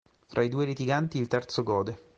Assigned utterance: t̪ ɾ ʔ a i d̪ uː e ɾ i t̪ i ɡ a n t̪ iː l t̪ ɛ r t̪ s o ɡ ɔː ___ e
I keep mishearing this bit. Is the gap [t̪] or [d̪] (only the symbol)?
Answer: d̪